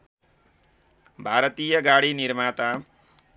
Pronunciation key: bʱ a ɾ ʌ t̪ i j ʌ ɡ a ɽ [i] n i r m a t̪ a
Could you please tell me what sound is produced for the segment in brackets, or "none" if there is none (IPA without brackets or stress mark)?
i